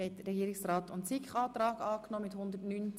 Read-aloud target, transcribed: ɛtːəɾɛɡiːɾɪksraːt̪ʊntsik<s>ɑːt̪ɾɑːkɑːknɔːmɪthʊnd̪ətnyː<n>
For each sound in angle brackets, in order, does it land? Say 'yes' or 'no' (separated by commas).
no, yes